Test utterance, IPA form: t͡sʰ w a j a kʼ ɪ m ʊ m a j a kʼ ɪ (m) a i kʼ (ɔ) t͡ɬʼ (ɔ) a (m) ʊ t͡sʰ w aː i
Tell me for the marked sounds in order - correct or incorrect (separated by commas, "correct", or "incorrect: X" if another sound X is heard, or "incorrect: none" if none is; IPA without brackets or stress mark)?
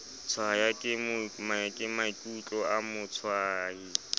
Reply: correct, incorrect: u, correct, correct